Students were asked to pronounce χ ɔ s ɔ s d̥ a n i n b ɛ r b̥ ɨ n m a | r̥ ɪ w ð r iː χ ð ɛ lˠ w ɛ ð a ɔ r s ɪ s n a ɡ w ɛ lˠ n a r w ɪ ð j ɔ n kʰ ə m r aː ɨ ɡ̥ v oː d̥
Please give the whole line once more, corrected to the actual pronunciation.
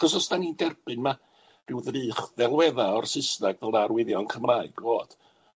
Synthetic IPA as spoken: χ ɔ s ɔ s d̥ a n i n d ɛ r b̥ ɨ n m a | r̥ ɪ w ð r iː χ ð ɛ lˠ w ɛ ð a ɔ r s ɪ s n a ɡ v ɛ lˠ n a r w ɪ ð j ɔ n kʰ ə m r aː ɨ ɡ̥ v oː d̥